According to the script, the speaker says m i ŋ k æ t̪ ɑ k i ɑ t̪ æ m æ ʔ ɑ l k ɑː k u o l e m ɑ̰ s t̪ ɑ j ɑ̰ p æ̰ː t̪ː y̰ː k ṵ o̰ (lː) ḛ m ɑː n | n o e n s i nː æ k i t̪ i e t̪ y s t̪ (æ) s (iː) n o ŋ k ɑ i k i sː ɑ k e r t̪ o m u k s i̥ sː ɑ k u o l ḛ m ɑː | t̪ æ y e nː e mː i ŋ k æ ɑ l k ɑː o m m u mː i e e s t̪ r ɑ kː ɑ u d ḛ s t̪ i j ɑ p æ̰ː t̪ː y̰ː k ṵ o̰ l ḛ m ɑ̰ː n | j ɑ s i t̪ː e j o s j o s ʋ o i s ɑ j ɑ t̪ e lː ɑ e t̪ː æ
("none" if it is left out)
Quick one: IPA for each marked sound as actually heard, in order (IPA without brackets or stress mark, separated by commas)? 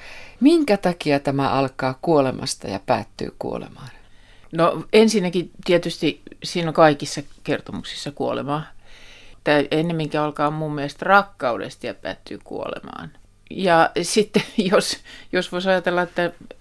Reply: l, i, iː